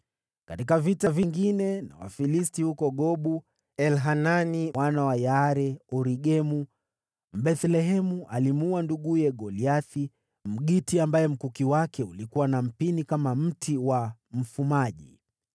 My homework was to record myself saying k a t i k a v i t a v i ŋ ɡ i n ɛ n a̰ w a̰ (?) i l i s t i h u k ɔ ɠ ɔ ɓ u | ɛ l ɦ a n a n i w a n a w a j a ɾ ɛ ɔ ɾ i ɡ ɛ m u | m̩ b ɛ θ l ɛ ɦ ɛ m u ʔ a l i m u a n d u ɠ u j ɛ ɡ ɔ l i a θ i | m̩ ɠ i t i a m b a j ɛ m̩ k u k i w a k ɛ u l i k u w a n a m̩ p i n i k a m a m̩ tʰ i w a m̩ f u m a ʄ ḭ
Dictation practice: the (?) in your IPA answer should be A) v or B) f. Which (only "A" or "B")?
B